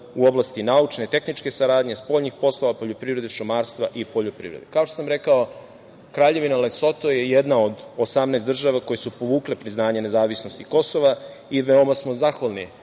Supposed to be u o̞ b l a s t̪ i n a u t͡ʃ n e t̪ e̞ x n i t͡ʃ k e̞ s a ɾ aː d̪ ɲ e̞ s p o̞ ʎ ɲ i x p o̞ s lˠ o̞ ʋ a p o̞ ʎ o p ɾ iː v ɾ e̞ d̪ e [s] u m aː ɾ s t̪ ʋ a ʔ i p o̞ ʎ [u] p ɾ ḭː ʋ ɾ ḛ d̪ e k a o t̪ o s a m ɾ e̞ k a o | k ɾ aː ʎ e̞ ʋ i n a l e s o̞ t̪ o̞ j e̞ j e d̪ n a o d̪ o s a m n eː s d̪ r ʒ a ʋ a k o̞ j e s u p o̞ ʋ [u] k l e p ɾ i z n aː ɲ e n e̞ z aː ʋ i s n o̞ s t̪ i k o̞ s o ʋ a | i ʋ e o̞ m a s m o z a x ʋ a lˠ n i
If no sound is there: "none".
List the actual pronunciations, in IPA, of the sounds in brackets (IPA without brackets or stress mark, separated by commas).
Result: ʃ, o, uː